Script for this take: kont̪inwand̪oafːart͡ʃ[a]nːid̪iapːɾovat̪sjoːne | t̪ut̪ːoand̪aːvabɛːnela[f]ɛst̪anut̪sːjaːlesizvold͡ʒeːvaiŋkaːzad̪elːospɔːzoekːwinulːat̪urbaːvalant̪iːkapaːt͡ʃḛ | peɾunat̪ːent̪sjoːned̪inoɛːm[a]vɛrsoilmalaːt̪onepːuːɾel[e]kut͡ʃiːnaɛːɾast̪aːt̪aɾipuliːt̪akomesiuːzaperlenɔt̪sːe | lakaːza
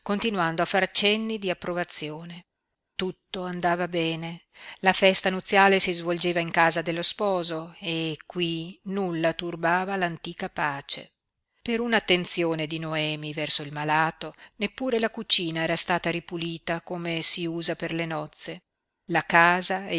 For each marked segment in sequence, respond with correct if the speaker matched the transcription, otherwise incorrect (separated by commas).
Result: incorrect, correct, incorrect, incorrect